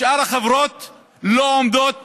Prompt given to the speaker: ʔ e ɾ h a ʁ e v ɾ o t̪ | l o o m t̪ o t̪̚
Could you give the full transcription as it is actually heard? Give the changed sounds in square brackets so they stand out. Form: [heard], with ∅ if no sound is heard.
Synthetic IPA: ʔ [a] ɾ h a [χ] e v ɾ o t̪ | l o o m [d̪] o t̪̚